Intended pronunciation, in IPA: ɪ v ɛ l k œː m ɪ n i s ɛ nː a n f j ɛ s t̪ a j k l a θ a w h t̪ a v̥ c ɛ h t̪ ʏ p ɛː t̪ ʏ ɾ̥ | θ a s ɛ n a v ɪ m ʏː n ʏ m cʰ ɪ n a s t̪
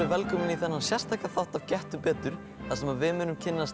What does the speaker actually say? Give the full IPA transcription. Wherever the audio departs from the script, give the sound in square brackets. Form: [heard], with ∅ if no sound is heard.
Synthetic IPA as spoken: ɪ v ɛ l k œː m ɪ n i [θ] ɛ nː a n [s] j ɛ s t̪ a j k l a θ a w h t̪ a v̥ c ɛ h t̪ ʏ p ɛː t̪ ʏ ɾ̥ | θ a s ɛ [m] a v ɪ m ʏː n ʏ m cʰ ɪ [nː] a s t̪